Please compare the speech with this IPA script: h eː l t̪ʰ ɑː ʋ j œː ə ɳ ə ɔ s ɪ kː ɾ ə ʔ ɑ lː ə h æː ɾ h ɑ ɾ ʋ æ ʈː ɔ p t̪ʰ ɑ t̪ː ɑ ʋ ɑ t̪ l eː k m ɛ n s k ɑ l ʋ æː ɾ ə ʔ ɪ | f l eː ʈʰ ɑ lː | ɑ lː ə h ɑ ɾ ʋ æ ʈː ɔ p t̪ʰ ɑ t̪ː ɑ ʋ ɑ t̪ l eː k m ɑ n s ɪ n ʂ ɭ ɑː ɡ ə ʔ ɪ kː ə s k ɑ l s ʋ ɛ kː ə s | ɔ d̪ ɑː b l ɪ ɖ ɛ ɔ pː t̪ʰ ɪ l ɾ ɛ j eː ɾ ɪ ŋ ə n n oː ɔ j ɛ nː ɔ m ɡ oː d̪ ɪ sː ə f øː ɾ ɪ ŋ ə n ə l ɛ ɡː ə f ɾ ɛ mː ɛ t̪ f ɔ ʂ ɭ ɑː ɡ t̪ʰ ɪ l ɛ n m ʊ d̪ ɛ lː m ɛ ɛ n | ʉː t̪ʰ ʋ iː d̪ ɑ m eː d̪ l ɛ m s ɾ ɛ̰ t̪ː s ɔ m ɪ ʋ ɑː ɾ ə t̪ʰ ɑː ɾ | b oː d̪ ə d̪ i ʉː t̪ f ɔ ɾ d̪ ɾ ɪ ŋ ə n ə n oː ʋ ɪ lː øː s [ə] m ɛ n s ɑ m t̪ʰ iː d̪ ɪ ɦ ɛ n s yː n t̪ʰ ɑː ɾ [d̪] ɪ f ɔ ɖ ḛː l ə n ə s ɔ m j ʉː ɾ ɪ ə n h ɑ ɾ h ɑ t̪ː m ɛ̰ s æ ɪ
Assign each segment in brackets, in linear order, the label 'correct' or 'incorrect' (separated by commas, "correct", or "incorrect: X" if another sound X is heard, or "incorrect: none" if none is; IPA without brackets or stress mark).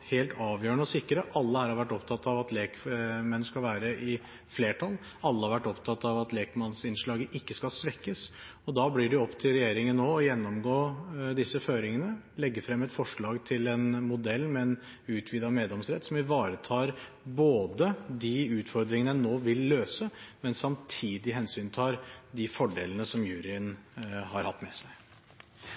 correct, correct